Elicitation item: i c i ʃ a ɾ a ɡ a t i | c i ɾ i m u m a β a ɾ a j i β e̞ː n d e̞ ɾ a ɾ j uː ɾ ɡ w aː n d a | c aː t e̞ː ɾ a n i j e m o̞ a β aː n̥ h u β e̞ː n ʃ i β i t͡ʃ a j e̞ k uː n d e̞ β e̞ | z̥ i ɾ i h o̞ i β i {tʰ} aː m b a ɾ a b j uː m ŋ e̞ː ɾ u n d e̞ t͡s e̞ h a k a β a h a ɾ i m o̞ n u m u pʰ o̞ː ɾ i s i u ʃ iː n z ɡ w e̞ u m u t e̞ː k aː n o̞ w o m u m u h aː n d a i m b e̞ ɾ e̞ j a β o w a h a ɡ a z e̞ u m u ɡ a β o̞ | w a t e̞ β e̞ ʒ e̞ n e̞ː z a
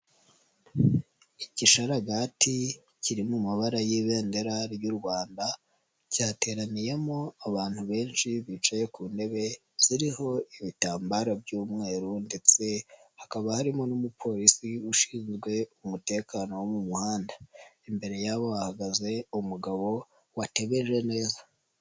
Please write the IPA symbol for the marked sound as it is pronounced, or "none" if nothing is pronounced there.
t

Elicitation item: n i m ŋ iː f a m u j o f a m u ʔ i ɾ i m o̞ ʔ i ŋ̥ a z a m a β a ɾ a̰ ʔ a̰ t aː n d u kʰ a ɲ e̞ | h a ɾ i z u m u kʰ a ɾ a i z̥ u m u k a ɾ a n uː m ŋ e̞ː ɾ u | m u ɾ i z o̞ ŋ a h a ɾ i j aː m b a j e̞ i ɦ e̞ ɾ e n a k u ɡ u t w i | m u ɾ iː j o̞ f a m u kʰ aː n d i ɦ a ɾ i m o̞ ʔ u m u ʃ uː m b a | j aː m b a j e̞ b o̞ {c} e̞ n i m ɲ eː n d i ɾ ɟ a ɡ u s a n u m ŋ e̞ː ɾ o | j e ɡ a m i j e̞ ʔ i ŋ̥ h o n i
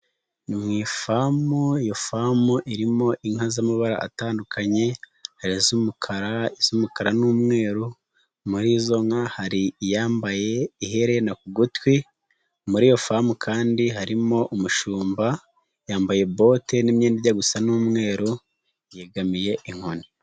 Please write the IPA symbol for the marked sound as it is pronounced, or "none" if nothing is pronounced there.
t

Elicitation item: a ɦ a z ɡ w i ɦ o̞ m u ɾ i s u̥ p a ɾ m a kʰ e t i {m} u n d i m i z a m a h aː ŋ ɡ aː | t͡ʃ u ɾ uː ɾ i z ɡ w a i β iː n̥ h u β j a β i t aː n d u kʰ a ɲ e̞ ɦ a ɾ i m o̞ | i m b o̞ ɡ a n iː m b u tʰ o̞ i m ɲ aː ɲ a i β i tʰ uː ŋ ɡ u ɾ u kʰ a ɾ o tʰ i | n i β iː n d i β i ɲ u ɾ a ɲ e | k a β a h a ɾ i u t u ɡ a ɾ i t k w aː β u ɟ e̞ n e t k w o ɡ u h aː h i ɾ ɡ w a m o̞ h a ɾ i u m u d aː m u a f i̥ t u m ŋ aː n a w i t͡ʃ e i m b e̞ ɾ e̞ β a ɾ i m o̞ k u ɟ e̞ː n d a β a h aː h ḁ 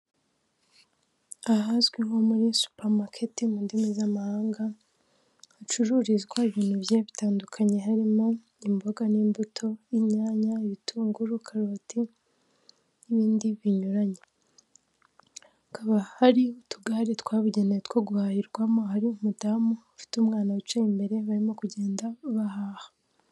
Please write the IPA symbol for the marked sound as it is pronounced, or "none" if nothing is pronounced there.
m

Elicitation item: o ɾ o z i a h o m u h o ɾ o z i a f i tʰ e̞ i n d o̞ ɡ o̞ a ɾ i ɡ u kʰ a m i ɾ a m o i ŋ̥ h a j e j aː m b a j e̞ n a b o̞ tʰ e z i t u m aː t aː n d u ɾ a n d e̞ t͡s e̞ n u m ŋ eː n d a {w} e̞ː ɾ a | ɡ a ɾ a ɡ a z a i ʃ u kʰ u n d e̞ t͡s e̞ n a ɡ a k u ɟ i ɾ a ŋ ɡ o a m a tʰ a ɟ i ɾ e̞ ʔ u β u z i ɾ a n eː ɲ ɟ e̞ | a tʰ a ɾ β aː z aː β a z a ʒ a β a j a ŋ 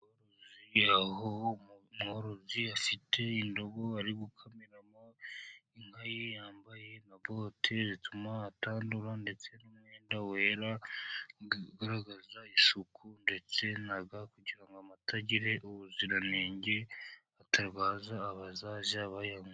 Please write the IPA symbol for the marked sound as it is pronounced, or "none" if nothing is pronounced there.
w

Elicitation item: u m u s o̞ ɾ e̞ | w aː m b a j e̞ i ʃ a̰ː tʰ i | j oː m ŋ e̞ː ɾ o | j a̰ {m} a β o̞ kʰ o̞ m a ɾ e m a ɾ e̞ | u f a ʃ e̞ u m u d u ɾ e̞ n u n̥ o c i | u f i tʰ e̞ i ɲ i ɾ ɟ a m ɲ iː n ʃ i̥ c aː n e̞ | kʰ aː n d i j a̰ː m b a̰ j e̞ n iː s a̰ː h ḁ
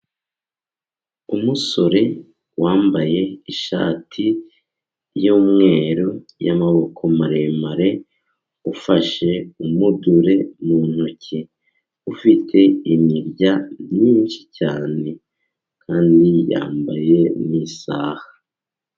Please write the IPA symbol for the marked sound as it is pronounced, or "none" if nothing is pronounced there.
m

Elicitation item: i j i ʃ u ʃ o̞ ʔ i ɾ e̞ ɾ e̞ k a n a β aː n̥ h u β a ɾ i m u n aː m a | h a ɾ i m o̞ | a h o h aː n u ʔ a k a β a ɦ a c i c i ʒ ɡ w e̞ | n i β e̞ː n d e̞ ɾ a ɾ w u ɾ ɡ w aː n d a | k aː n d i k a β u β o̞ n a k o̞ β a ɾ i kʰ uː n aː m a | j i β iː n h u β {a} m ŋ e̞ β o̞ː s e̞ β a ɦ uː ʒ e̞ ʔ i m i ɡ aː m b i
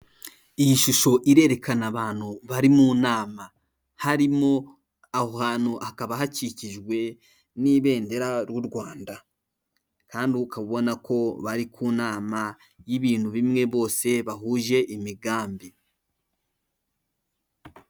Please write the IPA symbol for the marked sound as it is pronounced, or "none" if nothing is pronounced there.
i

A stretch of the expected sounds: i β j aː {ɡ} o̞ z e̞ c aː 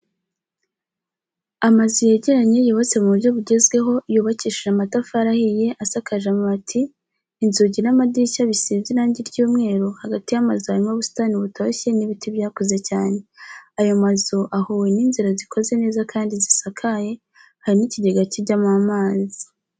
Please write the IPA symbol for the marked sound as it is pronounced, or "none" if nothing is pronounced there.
k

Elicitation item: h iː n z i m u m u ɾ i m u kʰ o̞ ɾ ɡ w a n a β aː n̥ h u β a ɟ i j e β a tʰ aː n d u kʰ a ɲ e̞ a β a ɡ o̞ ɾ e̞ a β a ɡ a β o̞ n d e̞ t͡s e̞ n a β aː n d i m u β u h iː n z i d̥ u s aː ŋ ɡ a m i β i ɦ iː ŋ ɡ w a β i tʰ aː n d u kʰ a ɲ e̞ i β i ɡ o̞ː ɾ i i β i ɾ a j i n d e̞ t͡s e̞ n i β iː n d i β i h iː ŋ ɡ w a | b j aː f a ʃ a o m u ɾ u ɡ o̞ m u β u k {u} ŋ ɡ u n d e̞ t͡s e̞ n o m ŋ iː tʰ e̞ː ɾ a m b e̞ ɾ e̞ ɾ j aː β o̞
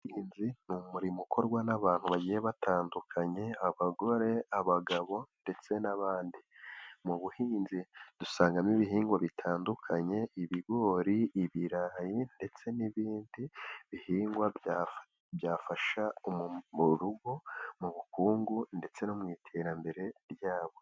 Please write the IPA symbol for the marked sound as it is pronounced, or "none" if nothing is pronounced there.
uː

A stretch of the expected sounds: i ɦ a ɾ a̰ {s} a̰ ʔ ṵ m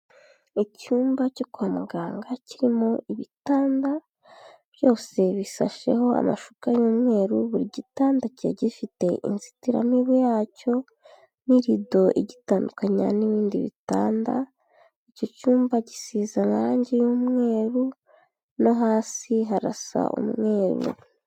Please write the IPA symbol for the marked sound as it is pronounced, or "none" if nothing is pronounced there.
s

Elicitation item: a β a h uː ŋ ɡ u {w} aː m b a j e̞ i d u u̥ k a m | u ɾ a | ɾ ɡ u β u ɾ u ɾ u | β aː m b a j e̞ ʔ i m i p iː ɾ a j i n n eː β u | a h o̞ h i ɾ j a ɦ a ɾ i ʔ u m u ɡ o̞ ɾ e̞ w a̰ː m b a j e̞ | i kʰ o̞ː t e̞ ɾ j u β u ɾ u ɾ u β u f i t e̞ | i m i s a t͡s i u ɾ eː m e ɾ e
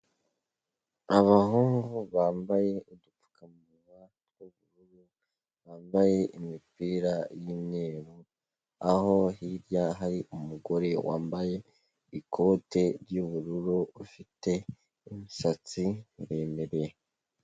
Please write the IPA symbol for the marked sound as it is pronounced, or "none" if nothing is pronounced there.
β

